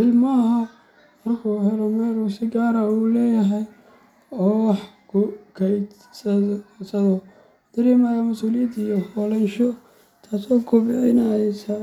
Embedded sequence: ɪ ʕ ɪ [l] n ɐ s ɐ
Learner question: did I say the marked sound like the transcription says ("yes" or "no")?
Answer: no